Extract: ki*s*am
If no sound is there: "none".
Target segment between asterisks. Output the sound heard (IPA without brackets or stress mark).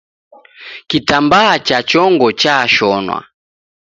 t